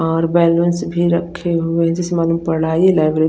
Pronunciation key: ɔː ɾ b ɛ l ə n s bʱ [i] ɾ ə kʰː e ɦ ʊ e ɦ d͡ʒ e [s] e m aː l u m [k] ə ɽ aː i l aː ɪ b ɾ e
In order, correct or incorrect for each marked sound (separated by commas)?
correct, correct, incorrect